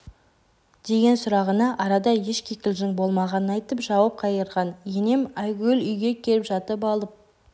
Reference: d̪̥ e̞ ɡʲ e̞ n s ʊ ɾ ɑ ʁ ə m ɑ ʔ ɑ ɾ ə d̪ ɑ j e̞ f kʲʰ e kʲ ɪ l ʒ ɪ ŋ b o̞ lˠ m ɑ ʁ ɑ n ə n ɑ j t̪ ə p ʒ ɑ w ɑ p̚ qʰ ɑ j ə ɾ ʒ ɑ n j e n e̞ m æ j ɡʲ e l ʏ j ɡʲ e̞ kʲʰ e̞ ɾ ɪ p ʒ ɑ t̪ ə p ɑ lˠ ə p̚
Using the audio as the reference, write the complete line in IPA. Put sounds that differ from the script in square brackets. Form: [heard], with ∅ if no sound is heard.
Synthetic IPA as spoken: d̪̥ e̞ ɡʲ e̞ n s ʊ ɾ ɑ ʁ ə [n] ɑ ʔ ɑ ɾ [ɑ] d̪ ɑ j e̞ [ʃ] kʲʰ e kʲ ɪ l ʒ ɪ ŋ b o̞ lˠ m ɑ ʁ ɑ n ə n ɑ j t̪ ə p ʒ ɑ w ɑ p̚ qʰ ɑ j ə ɾ [ʁ] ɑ n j e n e̞ m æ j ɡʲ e l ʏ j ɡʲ e̞ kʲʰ e̞ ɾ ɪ p ʒ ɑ t̪ ə p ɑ lˠ ə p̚